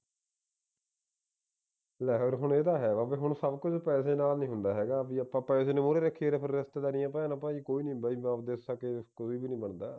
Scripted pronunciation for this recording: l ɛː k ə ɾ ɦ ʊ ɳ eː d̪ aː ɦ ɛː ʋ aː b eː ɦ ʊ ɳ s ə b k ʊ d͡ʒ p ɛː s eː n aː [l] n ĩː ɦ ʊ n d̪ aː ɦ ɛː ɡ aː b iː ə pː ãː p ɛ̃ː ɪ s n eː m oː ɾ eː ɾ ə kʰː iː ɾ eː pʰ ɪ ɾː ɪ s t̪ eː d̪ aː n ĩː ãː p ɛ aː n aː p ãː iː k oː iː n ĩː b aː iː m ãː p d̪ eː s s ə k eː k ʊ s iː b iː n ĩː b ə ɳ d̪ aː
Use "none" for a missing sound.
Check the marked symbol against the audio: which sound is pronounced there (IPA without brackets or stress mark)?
l